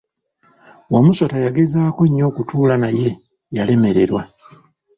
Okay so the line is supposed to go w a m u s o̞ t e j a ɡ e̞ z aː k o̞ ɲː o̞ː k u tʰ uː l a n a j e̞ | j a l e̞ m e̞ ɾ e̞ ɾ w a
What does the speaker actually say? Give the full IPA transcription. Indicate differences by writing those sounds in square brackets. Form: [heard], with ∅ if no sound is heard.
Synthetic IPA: w a m u s o̞ t [a] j a ɡ e̞ z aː k o̞ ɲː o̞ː k u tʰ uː l a n a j e̞ | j a l e̞ m e̞ ɾ e̞ ɾ w a